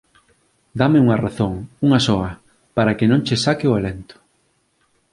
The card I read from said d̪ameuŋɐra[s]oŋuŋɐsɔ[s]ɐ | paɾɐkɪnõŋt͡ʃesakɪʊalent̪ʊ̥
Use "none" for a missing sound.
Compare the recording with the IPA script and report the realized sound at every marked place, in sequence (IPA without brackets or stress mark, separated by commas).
θ, none